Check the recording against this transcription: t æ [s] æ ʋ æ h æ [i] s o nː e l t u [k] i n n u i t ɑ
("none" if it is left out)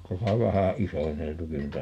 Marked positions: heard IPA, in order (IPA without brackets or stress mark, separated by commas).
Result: s, i, k